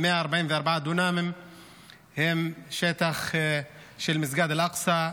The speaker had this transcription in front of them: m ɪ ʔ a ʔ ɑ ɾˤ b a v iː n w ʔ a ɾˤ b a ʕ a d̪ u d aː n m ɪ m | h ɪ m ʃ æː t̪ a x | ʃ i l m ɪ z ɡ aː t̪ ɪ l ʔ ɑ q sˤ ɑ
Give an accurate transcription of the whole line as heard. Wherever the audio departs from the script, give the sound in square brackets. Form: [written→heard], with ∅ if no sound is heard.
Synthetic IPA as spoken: m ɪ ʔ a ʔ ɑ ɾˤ b a [v→ʕ] iː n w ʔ [a→ɑ] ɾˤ b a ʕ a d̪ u [d→n] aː [n→∅] m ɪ m | h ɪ m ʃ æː t̪ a x | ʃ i l m ɪ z ɡ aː [t̪→d̪] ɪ l ʔ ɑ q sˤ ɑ